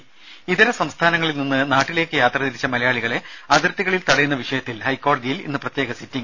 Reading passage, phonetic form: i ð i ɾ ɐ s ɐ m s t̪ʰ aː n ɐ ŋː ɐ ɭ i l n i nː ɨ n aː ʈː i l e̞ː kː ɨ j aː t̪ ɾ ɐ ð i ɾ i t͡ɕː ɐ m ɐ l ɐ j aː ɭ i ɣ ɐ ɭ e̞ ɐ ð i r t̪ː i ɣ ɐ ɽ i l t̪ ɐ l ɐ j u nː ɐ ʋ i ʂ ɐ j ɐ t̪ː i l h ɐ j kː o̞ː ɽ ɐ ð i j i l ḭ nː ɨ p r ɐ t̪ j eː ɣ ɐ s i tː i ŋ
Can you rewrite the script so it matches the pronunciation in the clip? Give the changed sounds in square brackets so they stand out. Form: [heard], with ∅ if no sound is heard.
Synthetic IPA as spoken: i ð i ɾ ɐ s ɐ m s t̪ʰ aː n ɐ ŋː ɐ ɭ i l n i nː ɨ n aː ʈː i l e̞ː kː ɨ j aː t̪ [r] ɐ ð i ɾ i t͡ɕː ɐ m ɐ l ɐ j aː ɭ i ɣ ɐ ɭ e̞ ɐ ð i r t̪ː i ɣ ɐ [ɭ] i l t̪ ɐ [ɽ] ɐ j u nː ɐ ʋ i ʂ ɐ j ɐ t̪ː i l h ɐ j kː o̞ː ɽ ɐ ð i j i l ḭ nː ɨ p r ɐ t̪ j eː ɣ ɐ s i tː i ŋ